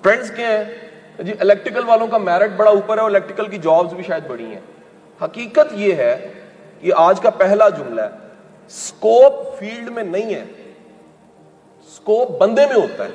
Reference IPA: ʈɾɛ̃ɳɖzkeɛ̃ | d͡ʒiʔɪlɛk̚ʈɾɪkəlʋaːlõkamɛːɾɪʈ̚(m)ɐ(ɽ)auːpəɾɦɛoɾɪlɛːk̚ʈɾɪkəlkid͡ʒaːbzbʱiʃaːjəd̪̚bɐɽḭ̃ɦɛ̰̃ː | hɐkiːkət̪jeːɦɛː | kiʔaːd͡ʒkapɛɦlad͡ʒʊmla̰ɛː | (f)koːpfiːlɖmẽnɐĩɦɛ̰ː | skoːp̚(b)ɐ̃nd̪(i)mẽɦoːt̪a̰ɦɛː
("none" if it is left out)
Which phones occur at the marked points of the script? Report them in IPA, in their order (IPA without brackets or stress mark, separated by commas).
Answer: b, ɽ, s, b, e